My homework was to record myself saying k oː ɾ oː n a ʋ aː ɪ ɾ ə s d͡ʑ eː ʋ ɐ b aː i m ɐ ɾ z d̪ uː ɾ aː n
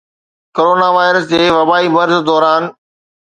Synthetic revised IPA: k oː ɾ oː n a ʋ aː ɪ ɾ ə s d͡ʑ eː ʋ ɐ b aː i m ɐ ɾ z d̪ ɔː ɾ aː n